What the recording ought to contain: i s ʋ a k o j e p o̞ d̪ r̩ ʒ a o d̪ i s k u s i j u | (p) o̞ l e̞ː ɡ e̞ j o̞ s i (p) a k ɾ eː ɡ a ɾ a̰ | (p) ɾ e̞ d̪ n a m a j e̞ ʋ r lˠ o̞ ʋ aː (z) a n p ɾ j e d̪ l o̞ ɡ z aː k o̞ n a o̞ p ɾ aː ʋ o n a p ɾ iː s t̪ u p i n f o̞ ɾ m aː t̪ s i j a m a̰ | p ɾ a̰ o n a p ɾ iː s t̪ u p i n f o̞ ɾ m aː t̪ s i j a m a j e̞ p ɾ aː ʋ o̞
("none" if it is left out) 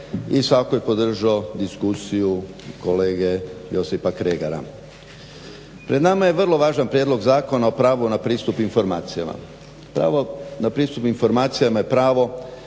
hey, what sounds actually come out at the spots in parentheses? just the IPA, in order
k, p, p, ʒ

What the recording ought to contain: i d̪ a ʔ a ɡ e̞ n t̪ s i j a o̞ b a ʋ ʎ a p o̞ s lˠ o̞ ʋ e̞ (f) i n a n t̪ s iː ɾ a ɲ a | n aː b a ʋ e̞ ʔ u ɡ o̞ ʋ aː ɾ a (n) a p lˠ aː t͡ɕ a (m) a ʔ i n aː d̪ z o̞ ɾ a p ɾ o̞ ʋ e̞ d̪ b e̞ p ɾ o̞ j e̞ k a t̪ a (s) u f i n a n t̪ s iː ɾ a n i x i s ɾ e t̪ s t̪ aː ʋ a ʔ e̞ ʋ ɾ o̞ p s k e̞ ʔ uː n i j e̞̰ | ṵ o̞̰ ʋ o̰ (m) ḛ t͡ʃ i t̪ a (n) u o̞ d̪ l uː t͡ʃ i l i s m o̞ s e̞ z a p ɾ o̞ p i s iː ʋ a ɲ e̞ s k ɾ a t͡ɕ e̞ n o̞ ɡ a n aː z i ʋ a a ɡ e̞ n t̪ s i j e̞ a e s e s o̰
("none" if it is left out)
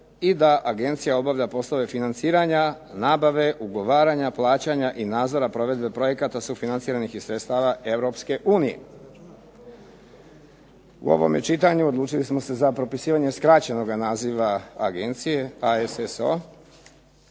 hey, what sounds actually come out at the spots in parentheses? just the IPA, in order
f, ɲ, ɲ, s, m, ɲ

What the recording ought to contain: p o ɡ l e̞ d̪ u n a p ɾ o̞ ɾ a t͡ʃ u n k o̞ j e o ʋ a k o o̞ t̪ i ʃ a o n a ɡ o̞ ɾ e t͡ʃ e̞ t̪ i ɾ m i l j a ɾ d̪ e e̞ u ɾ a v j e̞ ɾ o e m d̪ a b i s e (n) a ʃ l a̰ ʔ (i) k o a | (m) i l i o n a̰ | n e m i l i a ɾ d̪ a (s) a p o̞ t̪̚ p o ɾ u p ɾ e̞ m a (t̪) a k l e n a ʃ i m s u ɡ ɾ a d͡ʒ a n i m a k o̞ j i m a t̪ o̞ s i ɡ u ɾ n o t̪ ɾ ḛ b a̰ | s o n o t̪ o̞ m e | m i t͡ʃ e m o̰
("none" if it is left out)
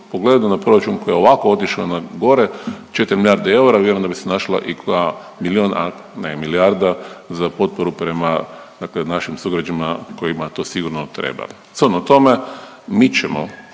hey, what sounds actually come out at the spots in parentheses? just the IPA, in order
n, i, m, z, d̪

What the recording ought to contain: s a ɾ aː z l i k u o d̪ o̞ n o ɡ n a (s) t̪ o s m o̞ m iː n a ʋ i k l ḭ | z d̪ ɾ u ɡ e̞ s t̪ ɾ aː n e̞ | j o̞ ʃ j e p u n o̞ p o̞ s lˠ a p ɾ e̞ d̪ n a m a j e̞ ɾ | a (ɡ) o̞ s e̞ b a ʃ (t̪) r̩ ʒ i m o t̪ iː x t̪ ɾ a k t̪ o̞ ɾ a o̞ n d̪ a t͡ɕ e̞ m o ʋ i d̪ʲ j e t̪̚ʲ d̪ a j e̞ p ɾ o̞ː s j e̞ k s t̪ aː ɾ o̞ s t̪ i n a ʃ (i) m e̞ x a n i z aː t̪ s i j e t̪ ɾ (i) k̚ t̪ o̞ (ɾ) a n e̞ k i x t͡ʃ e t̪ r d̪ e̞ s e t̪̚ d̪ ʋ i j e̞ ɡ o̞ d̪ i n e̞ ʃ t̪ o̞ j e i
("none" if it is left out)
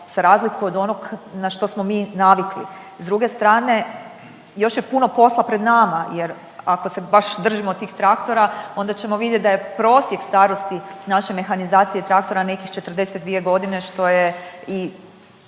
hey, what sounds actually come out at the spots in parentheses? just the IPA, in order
ʃ, k, d̪, e, a, ɾ

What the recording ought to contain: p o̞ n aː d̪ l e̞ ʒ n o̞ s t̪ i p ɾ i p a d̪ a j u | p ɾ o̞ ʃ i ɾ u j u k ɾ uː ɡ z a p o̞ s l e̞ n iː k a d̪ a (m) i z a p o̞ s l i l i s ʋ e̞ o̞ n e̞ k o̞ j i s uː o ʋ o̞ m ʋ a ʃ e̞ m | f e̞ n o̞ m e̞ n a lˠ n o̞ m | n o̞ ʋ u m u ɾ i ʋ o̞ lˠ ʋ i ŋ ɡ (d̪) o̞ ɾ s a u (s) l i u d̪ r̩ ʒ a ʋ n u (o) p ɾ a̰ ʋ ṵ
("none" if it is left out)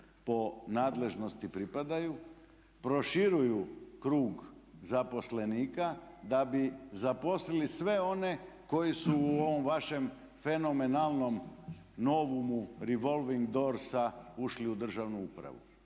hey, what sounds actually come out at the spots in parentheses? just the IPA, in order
b, d̪, ʃ, u

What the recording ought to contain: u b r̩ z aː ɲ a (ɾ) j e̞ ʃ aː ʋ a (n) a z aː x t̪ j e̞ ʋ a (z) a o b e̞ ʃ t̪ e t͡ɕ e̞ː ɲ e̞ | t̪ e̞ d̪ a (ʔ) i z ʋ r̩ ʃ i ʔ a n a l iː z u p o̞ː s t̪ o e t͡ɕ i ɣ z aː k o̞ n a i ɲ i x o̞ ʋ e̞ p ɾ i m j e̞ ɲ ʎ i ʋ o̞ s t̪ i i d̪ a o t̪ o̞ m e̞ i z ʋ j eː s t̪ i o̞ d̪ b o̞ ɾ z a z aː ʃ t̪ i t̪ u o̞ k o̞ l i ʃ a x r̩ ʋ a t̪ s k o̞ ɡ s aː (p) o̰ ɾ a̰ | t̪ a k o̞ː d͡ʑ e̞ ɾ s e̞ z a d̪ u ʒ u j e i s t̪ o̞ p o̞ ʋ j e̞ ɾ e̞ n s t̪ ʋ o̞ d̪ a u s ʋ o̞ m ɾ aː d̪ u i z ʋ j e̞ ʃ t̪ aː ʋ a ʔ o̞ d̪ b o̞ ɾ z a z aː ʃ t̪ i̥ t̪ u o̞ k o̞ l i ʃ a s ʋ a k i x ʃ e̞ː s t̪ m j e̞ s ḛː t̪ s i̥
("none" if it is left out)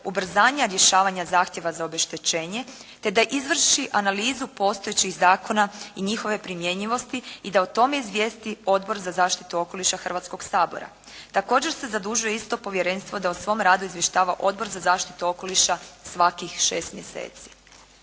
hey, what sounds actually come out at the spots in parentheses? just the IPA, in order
ɾ, ɲ, z, ʔ, b

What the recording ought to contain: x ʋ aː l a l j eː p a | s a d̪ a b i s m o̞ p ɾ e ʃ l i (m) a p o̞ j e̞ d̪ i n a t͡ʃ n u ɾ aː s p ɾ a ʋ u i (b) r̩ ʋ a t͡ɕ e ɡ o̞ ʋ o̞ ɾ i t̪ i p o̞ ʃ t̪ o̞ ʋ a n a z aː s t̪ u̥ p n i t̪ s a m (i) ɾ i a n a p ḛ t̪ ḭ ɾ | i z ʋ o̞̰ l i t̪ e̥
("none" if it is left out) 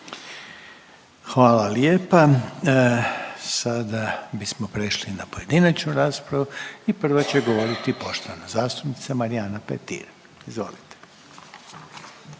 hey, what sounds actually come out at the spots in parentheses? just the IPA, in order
n, p, a

